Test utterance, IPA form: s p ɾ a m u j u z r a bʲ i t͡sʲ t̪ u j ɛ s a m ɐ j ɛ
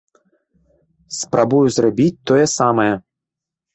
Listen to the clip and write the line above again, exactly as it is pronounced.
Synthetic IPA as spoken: s p ɾ a b u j u z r a bʲ i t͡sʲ t̪ ɔ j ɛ s a m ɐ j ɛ

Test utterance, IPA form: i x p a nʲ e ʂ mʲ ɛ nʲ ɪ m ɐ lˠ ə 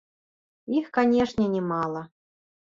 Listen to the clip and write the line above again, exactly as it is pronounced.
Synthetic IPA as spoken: i x k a nʲ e ʂ nʲ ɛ nʲ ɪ m ɑ lˠ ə

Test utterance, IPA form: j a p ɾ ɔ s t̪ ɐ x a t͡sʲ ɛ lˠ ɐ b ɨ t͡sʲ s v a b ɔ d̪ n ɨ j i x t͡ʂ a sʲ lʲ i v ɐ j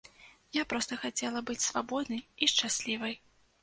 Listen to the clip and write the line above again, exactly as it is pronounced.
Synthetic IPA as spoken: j a p ɾ ɔ s t̪ ɐ x a t͡sʲ ɛ lˠ ɐ b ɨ t͡sʲ s v a b ɔ d̪ n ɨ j i ʂ t͡ʂ a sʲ lʲ i v ɐ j

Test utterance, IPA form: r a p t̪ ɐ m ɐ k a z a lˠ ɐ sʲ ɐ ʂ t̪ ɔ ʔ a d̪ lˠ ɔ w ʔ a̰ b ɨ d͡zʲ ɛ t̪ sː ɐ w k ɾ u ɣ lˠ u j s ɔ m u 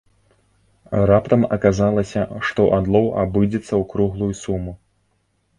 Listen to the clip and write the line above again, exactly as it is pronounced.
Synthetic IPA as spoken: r a p t̪ ɐ m ɐ k a z a lˠ ɐ sʲ ɐ ʂ t̪ ɔ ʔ a d̪ lˠ ɔ w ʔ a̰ b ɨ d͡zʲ ɛ t̪ sː ɐ w k ɾ u ɣ lˠ u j s u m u

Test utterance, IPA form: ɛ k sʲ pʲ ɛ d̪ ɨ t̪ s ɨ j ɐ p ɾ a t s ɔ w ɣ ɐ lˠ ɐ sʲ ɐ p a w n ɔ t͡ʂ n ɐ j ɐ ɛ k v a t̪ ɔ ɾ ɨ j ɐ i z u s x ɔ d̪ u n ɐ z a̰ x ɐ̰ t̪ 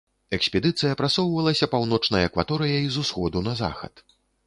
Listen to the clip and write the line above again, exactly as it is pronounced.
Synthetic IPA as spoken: ɛ k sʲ pʲ ɛ d̪ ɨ t̪ s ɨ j ɐ p ɾ a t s ɔ w v ɐ lˠ ɐ sʲ ɐ p a w n ɔ t͡ʂ n ɐ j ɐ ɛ k v a t̪ ɔ ɾ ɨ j ɐ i z u s x ɔ d̪ u n ɐ z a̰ x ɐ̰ t̪

